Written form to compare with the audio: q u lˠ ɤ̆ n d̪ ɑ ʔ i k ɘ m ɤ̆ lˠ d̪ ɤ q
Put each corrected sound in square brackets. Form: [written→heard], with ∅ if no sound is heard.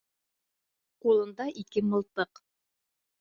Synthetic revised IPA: q u lˠ ɤ̆ n d̪ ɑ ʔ i k ɘ m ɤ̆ lˠ [d̪→t̪] ɤ q